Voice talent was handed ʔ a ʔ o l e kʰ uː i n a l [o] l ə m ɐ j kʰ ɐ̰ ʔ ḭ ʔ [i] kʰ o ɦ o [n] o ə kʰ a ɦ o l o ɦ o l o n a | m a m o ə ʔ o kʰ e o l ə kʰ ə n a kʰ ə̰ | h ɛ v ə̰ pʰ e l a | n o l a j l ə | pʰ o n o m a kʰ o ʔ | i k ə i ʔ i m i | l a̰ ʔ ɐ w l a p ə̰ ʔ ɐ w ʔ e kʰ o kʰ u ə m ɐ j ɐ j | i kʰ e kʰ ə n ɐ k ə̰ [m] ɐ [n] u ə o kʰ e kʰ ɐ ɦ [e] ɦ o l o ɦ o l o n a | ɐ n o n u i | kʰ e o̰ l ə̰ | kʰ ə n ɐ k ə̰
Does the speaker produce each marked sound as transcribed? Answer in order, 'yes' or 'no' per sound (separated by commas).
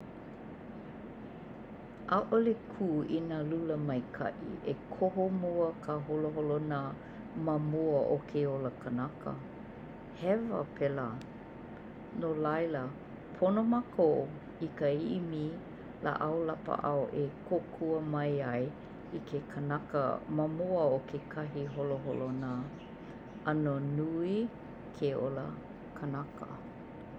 no, no, no, yes, no, no